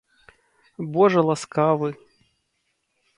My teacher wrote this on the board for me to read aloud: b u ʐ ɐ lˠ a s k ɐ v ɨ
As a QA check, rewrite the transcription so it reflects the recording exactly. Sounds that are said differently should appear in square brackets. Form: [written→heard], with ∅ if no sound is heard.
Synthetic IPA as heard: b [u→ɔ] ʐ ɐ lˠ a s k [ɐ→a] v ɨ